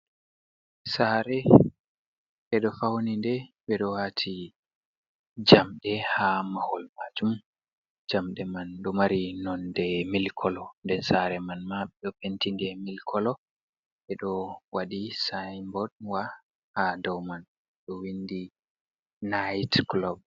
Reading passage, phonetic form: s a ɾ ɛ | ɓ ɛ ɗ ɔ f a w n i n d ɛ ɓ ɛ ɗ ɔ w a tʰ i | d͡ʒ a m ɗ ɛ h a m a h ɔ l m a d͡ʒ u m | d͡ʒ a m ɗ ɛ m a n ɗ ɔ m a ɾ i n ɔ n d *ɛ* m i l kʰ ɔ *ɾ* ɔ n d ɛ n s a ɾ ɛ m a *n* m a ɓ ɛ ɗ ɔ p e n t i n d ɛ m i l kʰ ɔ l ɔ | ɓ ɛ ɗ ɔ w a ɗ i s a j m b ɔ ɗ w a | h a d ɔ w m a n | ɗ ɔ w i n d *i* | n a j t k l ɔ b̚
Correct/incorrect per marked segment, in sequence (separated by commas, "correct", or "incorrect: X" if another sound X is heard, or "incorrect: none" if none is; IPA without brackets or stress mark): correct, incorrect: l, correct, correct